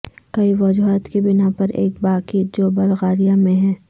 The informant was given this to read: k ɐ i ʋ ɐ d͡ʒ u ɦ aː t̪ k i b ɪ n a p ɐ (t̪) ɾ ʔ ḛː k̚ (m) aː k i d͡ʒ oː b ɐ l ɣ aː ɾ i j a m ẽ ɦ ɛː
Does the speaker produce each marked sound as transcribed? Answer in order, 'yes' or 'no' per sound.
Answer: no, no

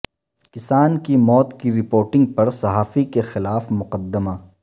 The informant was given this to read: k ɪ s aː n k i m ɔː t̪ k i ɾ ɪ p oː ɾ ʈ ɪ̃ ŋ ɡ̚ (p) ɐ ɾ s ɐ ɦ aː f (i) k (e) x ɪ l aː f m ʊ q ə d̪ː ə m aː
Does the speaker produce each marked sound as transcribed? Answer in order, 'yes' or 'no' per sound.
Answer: yes, yes, yes

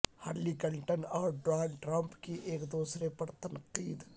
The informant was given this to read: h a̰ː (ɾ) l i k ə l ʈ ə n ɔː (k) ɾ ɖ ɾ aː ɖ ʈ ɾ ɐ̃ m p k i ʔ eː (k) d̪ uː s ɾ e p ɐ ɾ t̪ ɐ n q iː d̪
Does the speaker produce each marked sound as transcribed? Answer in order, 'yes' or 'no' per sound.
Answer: yes, no, yes

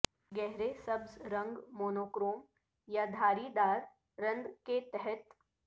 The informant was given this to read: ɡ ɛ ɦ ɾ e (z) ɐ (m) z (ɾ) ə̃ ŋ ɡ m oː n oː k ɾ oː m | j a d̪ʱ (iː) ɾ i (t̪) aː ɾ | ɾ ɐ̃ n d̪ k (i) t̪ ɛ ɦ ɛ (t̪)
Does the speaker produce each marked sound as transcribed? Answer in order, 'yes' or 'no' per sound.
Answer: no, no, yes, no, no, no, yes

